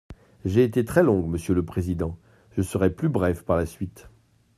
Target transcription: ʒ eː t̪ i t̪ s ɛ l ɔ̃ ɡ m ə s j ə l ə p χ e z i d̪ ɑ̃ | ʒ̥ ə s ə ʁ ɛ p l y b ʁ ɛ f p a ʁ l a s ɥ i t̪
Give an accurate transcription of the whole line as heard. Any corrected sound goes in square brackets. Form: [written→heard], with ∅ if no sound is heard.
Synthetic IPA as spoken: ʒ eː t̪ [i→e] t̪ [s→χ] ɛ l ɔ̃ ɡ m ə s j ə l ə p χ e z i d̪ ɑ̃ | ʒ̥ ə s ə ʁ ɛ p l y b ʁ ɛ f p a ʁ l a s ɥ i t̪